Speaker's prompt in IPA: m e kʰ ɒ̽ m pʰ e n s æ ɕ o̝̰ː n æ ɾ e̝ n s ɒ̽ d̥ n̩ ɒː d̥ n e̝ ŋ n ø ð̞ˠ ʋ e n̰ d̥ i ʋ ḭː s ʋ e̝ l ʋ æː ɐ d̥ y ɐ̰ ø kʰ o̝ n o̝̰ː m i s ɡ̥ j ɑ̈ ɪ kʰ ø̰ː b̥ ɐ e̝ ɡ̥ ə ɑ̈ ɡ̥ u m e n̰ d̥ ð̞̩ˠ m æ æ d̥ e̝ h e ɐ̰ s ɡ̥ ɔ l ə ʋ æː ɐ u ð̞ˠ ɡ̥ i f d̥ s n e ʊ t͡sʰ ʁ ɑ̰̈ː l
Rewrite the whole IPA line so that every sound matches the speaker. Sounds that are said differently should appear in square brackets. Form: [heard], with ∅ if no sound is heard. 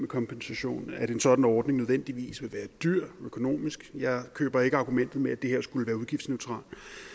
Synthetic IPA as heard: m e kʰ ɒ̽ m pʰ e n s æ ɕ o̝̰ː n æ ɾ e̝ n s ɒ̽ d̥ n̩ ɒː d̥ n e̝ ŋ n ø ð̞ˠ ʋ e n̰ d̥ i ʋ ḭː s ʋ e̝ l ʋ æː ɐ d̥ y ɐ̰ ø kʰ o̝ n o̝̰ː m i s ɡ̥ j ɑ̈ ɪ kʰ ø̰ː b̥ ɐ e̝ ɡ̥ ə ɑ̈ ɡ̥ u m e n̰ d̥ ð̞̩ˠ m [e] æ d̥ e̝ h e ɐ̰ s ɡ̥ [u] l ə ʋ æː ɐ u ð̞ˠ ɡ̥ i f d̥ s n e ʊ t͡sʰ ʁ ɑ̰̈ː l